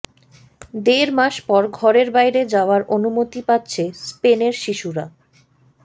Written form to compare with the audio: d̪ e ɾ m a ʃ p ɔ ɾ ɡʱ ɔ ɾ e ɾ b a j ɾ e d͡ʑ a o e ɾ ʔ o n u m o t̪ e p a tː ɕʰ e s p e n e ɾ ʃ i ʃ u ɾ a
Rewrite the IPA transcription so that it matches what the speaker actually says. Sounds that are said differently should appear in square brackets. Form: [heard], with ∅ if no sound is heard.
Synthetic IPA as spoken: d̪ e ɾ m a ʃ p ɔ ɾ ɡʱ ɔ ɾ e ɾ b a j ɾ e d͡ʑ a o [a] ɾ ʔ o n u m o t̪ [i] p a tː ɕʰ e s p e n e ɾ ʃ i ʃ u ɾ a